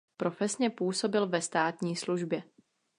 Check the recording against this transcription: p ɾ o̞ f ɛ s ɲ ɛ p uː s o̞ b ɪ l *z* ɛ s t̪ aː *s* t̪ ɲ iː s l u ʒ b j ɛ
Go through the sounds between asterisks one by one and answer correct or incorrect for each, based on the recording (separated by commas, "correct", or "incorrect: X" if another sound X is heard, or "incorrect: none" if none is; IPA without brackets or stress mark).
incorrect: v, incorrect: none